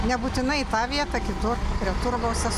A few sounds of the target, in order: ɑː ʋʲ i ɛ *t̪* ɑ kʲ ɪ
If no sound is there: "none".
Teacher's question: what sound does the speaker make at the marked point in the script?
t̪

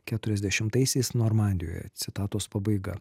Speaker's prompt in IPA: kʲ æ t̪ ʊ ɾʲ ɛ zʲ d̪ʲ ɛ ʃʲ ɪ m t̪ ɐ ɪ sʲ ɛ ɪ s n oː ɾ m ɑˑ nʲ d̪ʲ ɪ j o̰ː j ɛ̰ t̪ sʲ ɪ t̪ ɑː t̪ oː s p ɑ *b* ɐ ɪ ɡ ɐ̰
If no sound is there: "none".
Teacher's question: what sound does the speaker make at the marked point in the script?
b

